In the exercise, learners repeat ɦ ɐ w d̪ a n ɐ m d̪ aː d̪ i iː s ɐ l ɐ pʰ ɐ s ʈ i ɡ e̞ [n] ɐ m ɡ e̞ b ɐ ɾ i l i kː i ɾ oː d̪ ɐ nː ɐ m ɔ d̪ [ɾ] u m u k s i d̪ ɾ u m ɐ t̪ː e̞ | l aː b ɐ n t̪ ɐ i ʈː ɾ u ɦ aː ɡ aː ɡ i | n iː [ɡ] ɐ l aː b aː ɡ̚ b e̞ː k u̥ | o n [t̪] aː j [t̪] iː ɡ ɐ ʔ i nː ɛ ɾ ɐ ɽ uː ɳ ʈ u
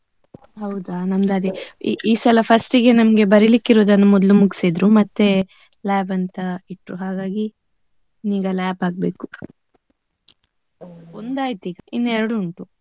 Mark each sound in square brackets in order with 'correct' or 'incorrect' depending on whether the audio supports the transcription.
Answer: correct, incorrect: l, correct, incorrect: d̪, correct

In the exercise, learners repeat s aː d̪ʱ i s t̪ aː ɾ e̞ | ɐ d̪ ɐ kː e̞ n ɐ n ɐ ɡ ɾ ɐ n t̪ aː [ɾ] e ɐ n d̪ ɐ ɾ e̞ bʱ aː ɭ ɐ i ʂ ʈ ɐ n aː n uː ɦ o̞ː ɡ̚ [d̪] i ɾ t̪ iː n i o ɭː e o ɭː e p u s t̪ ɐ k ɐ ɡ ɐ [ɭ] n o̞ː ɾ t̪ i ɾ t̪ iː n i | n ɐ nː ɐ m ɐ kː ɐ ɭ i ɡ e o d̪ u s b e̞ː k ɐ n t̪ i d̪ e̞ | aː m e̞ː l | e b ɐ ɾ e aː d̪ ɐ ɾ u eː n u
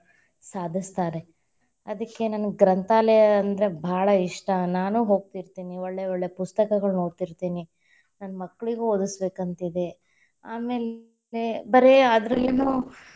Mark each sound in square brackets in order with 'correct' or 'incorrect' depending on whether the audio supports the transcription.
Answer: incorrect: l, incorrect: t̪, correct

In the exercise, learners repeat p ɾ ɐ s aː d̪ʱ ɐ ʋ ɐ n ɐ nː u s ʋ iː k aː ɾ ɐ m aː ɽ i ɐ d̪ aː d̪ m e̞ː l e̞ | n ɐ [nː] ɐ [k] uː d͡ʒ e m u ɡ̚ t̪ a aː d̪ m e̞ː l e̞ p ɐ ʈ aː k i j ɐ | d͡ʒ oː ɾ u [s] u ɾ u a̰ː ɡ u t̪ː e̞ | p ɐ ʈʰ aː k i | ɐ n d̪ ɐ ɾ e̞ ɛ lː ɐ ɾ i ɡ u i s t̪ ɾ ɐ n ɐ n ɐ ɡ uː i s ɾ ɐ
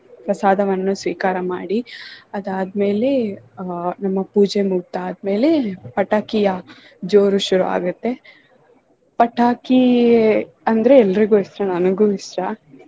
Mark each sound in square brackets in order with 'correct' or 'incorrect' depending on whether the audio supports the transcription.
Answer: incorrect: mː, incorrect: p, incorrect: ʃ

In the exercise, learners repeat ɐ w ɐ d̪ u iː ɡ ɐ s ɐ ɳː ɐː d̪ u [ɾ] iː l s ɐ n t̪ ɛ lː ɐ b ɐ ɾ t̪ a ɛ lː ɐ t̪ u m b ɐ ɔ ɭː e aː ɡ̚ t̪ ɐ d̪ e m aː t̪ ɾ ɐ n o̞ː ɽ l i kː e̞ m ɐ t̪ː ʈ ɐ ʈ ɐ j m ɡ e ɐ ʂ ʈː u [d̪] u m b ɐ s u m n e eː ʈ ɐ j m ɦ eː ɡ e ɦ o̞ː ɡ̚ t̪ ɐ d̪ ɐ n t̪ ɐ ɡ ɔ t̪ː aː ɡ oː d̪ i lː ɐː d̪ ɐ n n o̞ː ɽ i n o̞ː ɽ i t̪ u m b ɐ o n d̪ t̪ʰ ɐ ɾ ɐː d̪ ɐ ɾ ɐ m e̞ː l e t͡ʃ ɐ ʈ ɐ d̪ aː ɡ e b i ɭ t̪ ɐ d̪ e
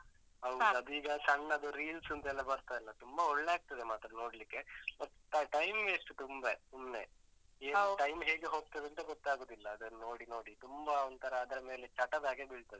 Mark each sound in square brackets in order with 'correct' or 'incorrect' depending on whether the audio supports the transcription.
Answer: correct, incorrect: t̪

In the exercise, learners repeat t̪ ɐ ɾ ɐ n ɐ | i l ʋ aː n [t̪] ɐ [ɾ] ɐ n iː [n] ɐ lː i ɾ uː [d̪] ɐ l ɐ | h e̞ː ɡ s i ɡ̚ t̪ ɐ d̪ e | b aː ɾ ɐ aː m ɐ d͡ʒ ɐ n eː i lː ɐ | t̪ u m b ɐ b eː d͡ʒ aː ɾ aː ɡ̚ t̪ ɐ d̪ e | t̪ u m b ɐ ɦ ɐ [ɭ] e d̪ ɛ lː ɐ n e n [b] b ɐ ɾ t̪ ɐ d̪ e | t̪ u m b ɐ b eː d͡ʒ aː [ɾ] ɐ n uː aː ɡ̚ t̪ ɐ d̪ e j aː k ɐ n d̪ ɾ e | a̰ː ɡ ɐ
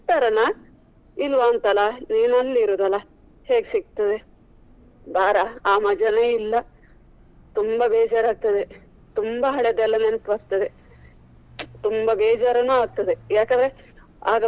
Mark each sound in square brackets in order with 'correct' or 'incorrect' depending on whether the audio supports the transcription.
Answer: correct, incorrect: l, correct, correct, correct, incorrect: p, correct

